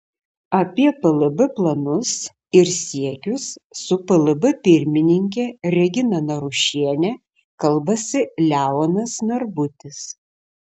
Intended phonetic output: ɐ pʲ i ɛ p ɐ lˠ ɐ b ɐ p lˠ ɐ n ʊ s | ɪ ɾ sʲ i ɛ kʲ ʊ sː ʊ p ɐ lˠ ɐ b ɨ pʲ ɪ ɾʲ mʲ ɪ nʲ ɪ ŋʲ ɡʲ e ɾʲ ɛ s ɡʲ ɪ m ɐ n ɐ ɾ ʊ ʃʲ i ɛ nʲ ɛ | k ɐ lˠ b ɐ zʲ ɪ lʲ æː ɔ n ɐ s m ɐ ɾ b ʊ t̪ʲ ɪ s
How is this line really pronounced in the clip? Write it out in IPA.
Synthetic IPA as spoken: ɐ pʲ i ɛ p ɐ lˠ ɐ b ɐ p lˠ ɐ n ʊ s | ɪ ɾ sʲ i ɛ kʲ ʊ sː ʊ p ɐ lˠ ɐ b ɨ pʲ ɪ ɾʲ mʲ ɪ nʲ ɪ ŋʲ kʲ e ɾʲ ɛ ɡʲ ɪ n ɐ n ɐ ɾ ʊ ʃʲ i ɛ nʲ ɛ | k ɐ lˠ b ɐ sʲ ɪ lʲ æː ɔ n ɐ s n ɐ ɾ b ʊ t̪ʲ ɪ s